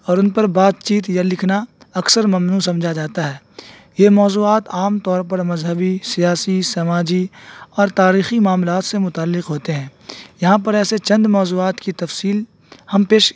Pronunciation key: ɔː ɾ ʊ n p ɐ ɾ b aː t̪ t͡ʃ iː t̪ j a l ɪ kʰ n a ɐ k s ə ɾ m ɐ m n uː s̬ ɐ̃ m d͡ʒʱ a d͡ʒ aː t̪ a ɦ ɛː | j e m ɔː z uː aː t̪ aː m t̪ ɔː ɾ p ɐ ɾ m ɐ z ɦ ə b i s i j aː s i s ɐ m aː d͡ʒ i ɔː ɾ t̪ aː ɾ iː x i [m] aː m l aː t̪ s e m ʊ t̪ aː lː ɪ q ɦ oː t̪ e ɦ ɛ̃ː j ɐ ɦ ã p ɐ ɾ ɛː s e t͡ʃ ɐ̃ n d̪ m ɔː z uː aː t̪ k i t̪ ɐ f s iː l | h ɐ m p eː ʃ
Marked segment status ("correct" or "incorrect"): correct